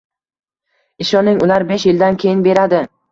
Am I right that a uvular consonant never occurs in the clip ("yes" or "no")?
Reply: yes